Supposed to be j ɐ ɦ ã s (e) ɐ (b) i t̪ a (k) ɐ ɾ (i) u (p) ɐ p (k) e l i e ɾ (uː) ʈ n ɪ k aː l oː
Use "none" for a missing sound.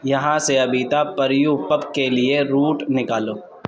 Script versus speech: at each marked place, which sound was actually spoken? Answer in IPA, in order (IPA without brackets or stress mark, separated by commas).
e, b, p, j, p, k, uː